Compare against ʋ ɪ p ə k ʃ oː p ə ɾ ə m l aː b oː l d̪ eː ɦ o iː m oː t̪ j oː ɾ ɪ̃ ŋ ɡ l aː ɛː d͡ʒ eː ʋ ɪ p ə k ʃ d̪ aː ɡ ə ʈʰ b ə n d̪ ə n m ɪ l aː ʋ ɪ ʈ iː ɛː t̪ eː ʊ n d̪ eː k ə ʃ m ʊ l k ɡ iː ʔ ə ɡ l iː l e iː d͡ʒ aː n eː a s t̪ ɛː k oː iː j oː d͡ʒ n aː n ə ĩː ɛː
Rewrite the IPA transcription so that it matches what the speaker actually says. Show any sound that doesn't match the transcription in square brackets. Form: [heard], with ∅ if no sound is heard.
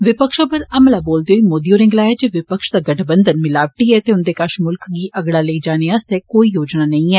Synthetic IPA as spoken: ʋ ɪ p ə k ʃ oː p ə ɾ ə m l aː b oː l d̪ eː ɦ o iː m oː [d̪] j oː ɾ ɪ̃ ŋ ɡ l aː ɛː d͡ʒ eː ʋ ɪ p ə k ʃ d̪ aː ɡ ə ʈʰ b ə n d̪ ə n m ɪ l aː ʋ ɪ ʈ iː ɛː t̪ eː ʊ n d̪ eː k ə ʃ m ʊ l k ɡ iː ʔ ə ɡ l [aː] l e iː d͡ʒ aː n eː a s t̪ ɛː k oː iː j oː d͡ʒ n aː n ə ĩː ɛː